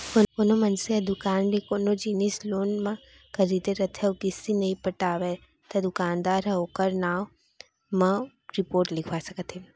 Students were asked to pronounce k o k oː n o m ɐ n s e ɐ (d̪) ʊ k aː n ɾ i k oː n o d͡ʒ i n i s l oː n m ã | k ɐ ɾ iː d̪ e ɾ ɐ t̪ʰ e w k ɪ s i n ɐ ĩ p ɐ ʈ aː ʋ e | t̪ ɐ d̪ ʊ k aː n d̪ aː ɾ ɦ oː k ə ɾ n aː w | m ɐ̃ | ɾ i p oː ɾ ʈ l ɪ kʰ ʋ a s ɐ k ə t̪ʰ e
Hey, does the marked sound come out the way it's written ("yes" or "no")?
yes